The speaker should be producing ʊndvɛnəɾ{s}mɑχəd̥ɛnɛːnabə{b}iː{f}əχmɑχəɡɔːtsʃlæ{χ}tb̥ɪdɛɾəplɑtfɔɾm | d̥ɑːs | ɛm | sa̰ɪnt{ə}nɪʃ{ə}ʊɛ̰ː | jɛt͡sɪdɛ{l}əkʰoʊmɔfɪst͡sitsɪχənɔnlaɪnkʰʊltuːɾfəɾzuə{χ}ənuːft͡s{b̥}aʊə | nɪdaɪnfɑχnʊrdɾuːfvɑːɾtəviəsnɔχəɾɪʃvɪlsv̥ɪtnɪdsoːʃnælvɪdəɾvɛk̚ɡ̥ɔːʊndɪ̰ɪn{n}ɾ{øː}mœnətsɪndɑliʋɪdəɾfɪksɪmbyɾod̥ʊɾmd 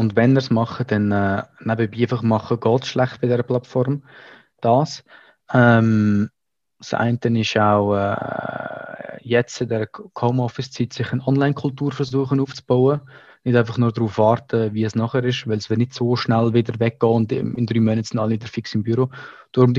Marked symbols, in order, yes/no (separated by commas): yes, yes, yes, yes, yes, no, no, yes, yes, no, no